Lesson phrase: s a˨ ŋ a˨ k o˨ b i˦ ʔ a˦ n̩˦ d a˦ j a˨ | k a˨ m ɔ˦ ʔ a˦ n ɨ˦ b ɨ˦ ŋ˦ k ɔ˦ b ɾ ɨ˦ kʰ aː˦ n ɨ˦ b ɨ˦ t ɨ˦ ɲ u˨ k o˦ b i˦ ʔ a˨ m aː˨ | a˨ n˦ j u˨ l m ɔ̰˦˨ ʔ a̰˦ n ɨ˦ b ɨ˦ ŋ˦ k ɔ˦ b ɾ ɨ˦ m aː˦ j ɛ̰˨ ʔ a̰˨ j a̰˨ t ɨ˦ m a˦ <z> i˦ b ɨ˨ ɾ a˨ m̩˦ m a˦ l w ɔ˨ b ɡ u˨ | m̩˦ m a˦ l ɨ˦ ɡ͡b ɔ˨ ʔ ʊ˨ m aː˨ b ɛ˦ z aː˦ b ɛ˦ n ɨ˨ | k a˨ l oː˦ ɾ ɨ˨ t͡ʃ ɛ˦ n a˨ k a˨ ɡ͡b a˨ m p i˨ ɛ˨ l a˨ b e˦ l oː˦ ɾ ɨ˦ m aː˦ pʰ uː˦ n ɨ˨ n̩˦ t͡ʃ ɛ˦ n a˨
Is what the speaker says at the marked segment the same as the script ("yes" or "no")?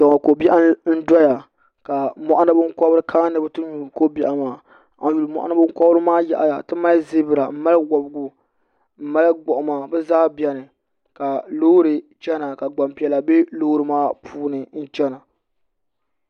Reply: yes